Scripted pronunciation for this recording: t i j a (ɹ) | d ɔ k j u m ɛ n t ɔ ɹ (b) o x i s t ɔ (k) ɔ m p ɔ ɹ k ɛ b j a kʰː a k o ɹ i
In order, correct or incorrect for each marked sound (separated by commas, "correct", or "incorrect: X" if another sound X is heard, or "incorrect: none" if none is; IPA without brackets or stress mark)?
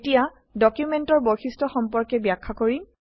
incorrect: none, correct, incorrect: x